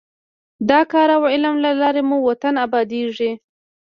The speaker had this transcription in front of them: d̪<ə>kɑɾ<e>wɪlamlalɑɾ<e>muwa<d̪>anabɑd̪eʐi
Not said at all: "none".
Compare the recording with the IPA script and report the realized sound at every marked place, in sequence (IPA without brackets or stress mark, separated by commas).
ɑ, a, e, t̪